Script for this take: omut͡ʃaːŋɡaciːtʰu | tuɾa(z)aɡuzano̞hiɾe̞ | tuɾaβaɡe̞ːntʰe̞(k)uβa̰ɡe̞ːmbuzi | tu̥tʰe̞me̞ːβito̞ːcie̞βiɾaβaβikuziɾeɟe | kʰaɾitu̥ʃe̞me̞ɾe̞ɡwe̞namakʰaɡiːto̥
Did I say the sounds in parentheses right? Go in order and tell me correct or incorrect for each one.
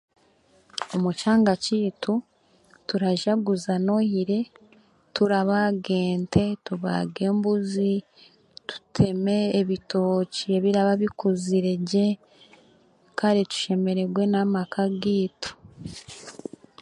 incorrect: ʒ, incorrect: t

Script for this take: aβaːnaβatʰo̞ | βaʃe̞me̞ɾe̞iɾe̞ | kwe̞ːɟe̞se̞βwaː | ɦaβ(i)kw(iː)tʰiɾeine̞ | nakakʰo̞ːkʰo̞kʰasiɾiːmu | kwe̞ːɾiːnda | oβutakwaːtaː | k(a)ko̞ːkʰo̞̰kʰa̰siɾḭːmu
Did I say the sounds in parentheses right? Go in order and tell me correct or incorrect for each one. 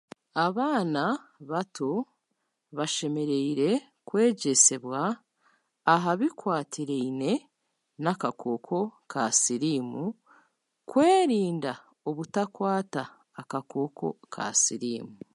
correct, incorrect: aː, correct

